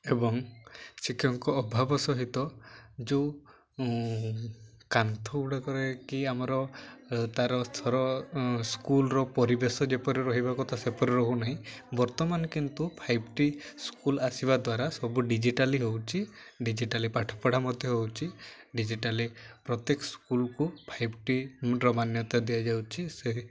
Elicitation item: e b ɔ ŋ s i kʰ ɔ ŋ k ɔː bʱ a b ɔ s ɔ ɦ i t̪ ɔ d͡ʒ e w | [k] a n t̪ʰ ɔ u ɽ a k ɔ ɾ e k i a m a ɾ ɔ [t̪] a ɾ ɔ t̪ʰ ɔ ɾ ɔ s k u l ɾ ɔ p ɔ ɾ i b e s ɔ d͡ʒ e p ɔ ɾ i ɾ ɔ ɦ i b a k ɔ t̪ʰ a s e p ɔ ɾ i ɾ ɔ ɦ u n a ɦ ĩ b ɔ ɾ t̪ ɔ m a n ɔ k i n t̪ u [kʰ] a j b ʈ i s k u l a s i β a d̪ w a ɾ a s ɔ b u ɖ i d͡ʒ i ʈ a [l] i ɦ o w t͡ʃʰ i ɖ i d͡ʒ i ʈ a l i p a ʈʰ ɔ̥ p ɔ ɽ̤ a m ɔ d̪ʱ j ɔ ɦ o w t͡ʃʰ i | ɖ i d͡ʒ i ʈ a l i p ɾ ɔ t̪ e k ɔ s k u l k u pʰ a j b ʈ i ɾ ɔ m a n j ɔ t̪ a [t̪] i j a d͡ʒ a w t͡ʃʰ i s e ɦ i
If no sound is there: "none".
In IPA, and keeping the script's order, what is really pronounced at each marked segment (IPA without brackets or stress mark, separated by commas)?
k, t̪, pʰ, l, d̪